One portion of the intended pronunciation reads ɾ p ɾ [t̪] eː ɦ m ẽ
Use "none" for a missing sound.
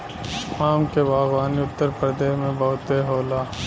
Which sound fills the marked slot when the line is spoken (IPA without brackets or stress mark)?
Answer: d̪